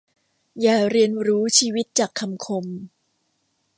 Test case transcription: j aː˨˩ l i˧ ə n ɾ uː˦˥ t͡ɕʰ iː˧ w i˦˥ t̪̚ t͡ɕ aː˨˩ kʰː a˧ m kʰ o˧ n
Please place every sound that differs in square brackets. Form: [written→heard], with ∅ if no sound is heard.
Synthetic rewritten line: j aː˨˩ [l→ɾ] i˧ ə n ɾ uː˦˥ t͡ɕʰ iː˧ w i˦˥ t̪̚ t͡ɕ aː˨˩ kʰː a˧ m kʰ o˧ [n→m]